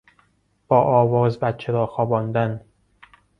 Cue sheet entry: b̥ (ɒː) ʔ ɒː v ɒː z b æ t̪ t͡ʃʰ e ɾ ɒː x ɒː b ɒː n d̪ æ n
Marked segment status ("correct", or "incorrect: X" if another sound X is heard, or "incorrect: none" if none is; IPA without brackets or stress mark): correct